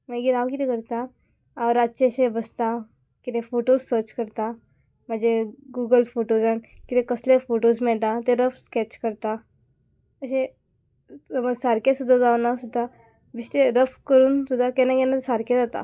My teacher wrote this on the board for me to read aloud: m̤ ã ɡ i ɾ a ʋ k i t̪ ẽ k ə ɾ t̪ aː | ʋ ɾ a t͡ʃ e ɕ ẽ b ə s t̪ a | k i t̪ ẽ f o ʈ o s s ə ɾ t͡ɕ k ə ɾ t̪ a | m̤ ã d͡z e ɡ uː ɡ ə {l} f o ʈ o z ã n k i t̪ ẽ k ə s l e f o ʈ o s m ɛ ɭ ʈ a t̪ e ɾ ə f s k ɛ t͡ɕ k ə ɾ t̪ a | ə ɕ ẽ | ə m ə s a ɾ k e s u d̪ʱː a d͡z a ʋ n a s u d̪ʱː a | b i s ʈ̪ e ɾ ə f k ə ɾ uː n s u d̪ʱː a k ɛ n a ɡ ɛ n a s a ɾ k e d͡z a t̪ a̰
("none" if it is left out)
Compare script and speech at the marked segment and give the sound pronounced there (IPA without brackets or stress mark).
l